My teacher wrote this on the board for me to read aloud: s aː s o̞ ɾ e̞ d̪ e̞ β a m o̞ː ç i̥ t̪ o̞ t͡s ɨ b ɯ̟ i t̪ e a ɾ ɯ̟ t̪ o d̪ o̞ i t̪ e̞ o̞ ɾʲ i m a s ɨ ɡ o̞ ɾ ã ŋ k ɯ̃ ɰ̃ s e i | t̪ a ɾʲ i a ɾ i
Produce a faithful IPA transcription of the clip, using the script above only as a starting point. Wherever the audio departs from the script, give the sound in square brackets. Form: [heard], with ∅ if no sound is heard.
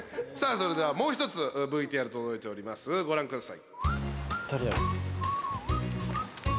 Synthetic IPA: s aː s o̞ ɾ e̞ d̪ e̞ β a m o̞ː ç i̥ t̪ o̞ t͡s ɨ b ɯ̟ i t̪ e a ɾ ɯ̟ t̪ o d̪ o̞ i t̪ e̞ o̞ ɾʲ i m a s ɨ ɡ o̞ ɾ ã ŋ k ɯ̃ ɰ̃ s [a] i | t̪ a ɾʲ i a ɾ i